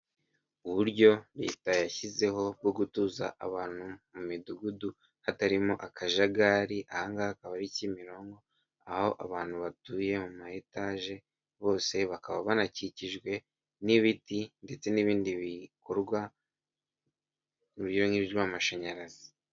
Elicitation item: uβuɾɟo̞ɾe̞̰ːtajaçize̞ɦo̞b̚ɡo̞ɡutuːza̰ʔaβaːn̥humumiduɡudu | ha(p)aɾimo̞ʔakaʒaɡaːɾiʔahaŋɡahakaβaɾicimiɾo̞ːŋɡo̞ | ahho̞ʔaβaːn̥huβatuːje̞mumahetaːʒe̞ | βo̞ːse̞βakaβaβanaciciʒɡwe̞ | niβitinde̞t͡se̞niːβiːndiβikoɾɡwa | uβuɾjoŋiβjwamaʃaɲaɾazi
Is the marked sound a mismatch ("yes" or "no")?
yes